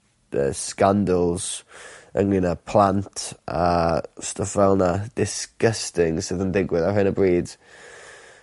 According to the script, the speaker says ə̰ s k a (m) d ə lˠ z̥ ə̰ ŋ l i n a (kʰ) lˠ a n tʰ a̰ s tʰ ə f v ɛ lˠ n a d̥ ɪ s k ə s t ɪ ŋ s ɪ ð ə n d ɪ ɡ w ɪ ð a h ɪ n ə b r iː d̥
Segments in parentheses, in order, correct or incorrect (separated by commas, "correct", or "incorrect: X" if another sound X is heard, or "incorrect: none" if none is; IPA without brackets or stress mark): incorrect: n, incorrect: pʰ